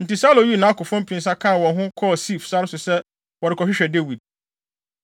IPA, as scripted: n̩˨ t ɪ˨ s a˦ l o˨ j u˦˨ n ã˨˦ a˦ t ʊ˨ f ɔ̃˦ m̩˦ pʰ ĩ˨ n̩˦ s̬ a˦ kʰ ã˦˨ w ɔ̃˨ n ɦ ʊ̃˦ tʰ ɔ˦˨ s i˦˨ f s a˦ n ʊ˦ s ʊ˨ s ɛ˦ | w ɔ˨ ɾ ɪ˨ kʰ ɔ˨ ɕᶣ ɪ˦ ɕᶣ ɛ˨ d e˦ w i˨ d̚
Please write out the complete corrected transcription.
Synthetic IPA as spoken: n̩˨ t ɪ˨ s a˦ l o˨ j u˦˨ n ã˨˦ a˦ k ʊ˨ f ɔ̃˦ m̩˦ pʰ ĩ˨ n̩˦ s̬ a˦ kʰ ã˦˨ w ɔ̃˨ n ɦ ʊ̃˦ kʰ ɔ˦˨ s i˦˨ f s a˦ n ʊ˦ s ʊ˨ s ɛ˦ | w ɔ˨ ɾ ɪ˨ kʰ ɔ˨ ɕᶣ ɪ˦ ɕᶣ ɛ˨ d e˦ w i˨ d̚